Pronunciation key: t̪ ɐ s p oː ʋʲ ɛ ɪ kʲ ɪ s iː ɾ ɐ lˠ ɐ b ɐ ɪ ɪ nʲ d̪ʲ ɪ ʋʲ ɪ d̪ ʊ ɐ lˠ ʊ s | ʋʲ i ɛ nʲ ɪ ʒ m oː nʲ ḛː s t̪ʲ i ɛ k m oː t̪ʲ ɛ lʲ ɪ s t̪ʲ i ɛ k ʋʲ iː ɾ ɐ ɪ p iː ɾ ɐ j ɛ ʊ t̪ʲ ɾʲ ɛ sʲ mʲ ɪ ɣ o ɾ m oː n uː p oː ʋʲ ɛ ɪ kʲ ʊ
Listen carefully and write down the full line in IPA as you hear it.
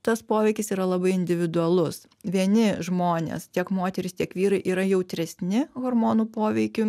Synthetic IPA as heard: t̪ ɐ s p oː ʋʲ ɛ ɪ kʲ ɪ s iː ɾ ɐ lˠ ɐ b ɐ ɪ ɪ nʲ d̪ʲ ɪ ʋʲ ɪ d̪ ʊ ɐ lˠ ʊ s | ʋʲ i ɛ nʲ ɪ ʒ m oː nʲ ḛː s t̪ʲ i ɛ k m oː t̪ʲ ɛ ɾʲ ɪ s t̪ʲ i ɛ k ʋʲ iː ɾ ɐ ɪ ʔ iː ɾ ɐ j ɛ ʊ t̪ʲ ɾʲ ɛ sʲ nʲ ɪ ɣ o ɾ m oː n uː p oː ʋʲ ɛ ɪ kʲ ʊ

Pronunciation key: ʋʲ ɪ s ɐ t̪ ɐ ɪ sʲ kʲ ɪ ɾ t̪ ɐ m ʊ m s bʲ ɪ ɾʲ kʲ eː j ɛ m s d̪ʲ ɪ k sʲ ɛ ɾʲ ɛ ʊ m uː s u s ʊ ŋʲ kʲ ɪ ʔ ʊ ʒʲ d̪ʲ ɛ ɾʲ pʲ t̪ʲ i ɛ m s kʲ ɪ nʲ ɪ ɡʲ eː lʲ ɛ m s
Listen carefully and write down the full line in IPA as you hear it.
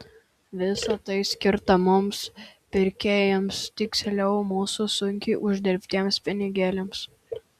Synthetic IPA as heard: ʋʲ ɪ s ɐ t̪ ɐ ɪ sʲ kʲ ɪ ɾ t̪ ɐ m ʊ m s pʲ ɪ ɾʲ kʲ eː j ɛ m s t̪ʲ ɪ k sʲ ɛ lʲ ɛ ʊ m uː s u s ʊ ŋʲ kʲ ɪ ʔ ʊ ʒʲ d̪ʲ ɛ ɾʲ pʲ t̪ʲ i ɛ m s pʲ ɪ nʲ ɪ ɡʲ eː lʲ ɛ m s

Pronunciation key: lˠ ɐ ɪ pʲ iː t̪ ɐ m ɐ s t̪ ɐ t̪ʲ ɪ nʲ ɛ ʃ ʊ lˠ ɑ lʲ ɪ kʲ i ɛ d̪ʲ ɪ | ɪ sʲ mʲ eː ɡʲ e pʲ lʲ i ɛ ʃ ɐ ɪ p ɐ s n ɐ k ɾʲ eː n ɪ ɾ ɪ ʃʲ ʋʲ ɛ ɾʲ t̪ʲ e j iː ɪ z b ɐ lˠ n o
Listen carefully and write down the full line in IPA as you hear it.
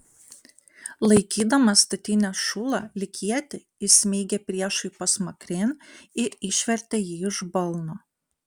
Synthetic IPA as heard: lˠ ɐ ɪ kʲ iː d̪ ɐ m ɐ s t̪ ɐ t̪ʲ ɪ nʲ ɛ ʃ ʊ lˠ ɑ lʲ ɪ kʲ i ɛ t̪ʲ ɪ | ɪ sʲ mʲ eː ɡʲ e pʲ ɾʲ i ɛ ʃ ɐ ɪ p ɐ s m ɐ k ɾʲ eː n ɪ ɾ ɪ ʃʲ ʋʲ ɛ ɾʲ t̪ʲ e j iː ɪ ʒ b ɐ lˠ n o

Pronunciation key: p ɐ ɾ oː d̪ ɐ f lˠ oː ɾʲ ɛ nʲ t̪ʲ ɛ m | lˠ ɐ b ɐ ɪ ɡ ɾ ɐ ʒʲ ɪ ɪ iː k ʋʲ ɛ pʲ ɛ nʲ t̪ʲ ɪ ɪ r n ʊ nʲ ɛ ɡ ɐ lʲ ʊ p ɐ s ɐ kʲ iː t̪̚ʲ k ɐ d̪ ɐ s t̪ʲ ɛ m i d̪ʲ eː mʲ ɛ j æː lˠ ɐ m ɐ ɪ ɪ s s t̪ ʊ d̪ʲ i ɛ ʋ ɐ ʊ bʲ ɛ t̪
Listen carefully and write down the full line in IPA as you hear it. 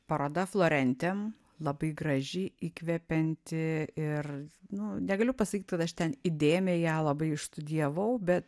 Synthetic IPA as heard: p ɐ ɾ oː d̪ ɐ f lˠ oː ɾʲ ɛ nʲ t̪ʲ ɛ m | lˠ ɐ b ɐ ɪ ɡ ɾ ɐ ʒʲ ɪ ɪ iː k ʋʲ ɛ pʲ ɛ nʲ t̪ʲ ɪ ɪ r n ʊ nʲ ɛ ɡ ɐ lʲ ʊ p ɐ s ɐ kʲ iː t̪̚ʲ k ɐ t̪ ɐ ʃ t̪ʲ ɛ n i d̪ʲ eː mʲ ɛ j æː lˠ ɐ b ɐ ɪ ɪ ʃ s t̪ ʊ d̪ʲ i ɛ ʋ ɐ ʊ bʲ ɛ t̪

